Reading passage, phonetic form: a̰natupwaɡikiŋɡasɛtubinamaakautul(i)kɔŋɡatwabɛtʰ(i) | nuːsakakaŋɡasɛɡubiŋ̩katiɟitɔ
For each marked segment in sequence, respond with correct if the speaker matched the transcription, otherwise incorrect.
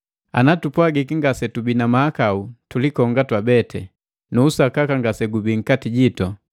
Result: correct, incorrect

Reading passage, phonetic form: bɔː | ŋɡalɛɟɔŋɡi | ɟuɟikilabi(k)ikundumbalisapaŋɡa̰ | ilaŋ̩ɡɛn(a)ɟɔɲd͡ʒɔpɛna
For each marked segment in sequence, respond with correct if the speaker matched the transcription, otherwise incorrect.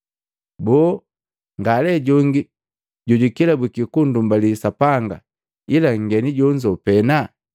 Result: correct, incorrect

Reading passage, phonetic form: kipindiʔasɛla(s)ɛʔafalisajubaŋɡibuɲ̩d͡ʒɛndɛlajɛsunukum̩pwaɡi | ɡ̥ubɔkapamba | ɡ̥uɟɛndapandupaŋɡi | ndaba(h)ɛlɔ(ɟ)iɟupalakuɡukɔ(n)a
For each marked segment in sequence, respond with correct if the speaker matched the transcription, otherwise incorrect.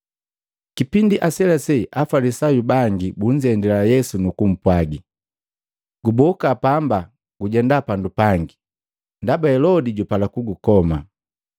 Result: correct, correct, incorrect, incorrect

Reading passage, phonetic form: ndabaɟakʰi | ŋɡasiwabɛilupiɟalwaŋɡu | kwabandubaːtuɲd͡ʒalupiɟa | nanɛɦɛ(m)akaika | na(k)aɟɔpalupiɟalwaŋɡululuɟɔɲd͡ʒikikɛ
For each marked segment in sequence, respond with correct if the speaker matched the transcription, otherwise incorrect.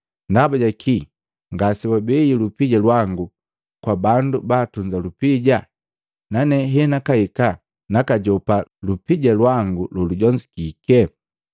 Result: incorrect, correct

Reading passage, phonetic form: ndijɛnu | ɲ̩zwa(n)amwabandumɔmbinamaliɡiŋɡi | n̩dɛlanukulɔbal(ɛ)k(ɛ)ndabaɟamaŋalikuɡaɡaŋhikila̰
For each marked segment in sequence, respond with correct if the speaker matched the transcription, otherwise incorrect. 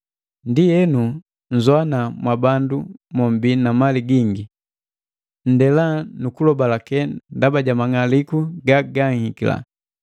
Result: correct, incorrect, correct

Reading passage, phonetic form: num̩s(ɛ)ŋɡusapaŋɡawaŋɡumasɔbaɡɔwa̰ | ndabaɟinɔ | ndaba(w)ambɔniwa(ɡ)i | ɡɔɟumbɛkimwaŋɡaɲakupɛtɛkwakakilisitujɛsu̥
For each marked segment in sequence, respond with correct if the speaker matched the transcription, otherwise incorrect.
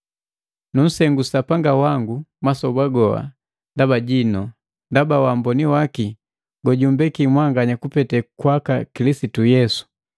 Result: correct, correct, incorrect

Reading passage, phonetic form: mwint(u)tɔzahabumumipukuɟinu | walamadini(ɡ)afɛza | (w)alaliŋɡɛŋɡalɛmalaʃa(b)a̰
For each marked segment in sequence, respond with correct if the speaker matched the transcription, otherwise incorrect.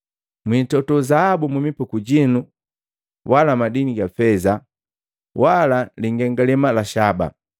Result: incorrect, correct, correct, correct

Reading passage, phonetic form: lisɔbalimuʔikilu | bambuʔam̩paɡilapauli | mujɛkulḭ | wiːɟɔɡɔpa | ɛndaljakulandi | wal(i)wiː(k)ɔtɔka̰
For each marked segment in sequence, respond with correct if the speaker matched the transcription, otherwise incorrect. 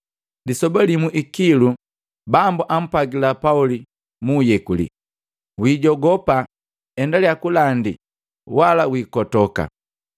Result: incorrect, correct

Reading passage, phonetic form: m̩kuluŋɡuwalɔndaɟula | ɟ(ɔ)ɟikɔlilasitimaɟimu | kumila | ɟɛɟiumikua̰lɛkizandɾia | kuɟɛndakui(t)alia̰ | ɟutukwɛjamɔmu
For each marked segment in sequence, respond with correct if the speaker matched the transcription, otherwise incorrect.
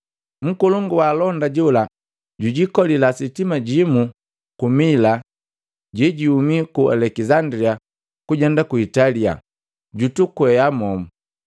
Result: incorrect, correct

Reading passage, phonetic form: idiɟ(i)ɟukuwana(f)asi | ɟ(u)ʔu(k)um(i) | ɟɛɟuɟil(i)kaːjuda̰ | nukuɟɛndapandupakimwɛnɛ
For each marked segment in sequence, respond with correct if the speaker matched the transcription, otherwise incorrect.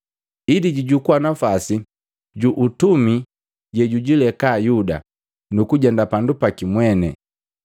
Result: correct, correct, correct, incorrect, correct, incorrect

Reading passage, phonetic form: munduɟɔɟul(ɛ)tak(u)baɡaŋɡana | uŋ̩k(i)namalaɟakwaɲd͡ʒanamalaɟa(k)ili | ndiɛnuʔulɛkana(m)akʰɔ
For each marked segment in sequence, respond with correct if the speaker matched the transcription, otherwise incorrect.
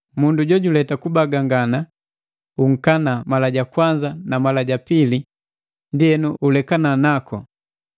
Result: correct, correct, incorrect, incorrect, incorrect

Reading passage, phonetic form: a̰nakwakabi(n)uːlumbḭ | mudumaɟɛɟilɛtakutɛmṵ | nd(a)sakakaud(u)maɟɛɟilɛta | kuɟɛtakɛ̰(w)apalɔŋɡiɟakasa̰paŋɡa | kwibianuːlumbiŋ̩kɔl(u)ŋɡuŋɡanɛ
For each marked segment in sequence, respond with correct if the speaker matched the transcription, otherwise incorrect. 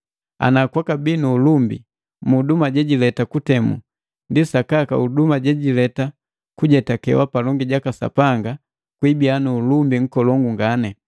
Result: correct, incorrect, correct, correct, incorrect

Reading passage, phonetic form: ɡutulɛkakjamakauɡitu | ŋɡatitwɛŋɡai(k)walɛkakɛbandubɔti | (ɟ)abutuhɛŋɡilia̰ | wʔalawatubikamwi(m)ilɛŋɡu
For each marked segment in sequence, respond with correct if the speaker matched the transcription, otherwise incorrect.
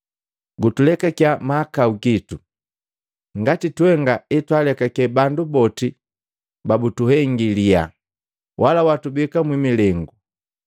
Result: incorrect, incorrect, correct

